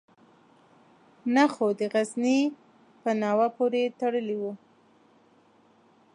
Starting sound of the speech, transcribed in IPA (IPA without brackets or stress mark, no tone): n